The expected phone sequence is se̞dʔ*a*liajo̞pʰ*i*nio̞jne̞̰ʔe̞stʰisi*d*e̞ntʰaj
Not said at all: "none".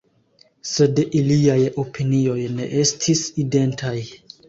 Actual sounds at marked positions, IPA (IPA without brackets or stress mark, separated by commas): i, i, d